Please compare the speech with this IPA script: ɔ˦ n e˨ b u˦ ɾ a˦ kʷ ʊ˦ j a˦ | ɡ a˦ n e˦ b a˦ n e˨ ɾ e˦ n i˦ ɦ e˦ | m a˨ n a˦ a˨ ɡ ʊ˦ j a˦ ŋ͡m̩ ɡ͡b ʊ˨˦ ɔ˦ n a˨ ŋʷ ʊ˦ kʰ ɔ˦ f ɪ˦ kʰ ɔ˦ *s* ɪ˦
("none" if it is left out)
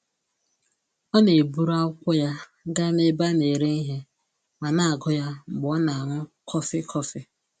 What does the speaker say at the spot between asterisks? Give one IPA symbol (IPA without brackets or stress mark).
f